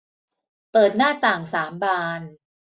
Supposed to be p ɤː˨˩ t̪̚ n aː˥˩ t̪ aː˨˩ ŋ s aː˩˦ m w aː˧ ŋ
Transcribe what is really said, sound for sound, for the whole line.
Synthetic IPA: p ɤː˨˩ t̪̚ n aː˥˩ t̪ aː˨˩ ŋ s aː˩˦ m b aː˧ n

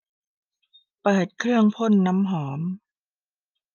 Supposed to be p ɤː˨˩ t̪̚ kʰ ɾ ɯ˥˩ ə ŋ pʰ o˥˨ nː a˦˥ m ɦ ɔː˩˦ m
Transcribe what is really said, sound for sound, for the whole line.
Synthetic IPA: p ɤː˨˩ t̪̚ kʰ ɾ ɯ˥˩ ə ŋ pʰ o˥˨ nː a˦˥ m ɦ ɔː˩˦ m

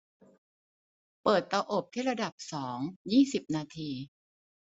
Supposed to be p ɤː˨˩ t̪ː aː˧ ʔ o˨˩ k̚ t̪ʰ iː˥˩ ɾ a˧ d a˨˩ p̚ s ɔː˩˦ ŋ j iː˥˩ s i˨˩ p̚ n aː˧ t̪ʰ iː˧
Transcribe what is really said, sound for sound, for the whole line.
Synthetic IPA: p ɤː˨˩ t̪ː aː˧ ʔ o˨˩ p̚ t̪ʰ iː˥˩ ɾ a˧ d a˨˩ p̚ s ɔː˩˦ ŋ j iː˥˩ s i˨˩ p̚ n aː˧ t̪ʰ iː˧

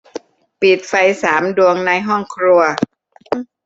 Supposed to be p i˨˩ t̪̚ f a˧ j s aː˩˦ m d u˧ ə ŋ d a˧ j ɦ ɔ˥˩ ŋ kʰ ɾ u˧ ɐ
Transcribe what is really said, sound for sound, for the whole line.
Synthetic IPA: p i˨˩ t̪̚ f a˧ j s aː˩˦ m d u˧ ə ŋ n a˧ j ɦ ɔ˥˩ ŋ kʰ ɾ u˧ ɐ

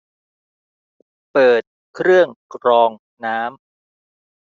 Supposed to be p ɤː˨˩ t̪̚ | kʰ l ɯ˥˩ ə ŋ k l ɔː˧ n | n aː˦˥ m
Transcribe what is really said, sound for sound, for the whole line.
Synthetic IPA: p ɤː˨˩ t̪̚ | kʰ ɾ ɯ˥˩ ə ŋ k ɾ ɔː˧ ŋ | n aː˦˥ m

